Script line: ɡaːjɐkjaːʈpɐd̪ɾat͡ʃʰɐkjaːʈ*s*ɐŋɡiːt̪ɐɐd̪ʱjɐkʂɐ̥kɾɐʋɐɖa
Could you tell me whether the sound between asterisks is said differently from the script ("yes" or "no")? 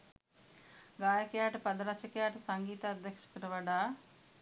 no